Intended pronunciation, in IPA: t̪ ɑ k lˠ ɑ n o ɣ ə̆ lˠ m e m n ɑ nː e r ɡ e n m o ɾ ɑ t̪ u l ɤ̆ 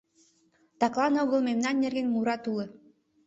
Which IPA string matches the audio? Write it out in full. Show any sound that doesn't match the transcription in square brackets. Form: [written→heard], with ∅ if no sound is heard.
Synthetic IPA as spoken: t̪ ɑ k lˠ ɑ n o ɣ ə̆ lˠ m e m n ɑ nː e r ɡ e n m [o→u] ɾ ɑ t̪ u l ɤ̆